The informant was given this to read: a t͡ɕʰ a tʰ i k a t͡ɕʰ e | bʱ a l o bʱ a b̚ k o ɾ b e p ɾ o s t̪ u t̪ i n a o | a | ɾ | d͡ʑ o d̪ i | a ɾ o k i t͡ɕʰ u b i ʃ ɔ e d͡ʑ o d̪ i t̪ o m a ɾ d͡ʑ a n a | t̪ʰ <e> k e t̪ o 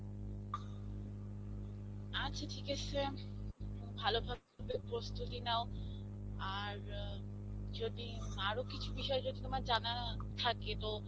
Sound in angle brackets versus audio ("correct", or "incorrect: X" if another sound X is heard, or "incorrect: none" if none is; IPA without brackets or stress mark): incorrect: a